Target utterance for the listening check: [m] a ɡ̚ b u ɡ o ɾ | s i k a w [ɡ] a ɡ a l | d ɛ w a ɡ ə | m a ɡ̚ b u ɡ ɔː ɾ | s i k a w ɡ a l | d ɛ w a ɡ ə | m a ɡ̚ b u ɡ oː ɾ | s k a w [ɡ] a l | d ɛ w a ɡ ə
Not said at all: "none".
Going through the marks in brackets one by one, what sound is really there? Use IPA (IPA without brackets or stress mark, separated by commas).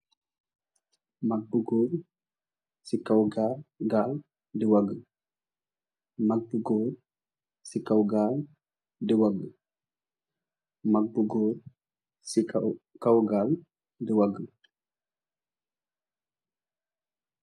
m, ɡ, ɡ